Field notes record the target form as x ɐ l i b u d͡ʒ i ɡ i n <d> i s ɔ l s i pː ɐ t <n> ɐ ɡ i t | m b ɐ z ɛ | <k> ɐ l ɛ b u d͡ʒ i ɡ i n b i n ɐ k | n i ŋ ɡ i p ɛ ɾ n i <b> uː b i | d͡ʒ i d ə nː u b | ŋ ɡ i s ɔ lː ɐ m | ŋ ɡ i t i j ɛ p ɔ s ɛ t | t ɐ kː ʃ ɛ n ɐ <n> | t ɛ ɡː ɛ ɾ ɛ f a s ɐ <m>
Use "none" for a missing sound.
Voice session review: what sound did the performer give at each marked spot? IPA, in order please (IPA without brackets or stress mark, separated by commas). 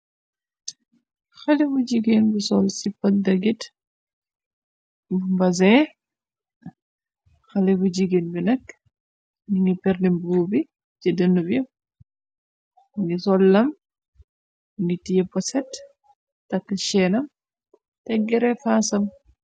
b, d, x, b, m, m